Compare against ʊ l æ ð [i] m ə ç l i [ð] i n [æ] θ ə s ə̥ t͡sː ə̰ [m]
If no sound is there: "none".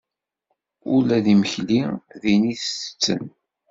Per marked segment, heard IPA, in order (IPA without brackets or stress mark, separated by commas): i, ð, i, n